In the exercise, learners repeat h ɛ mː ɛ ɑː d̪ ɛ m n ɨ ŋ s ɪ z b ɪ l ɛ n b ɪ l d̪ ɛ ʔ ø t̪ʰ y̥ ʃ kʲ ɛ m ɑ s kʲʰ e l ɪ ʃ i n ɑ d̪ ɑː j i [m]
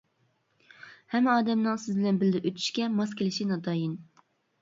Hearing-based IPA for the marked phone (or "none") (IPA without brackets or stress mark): n